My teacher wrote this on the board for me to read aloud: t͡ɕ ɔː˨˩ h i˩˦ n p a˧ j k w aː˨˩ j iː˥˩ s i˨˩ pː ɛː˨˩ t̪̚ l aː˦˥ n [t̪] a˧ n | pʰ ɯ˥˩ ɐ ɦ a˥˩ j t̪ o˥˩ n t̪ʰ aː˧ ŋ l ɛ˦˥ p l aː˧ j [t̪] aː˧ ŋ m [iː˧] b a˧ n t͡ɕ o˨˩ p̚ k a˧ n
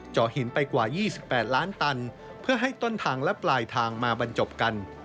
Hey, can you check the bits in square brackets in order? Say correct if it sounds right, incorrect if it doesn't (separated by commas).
correct, incorrect, incorrect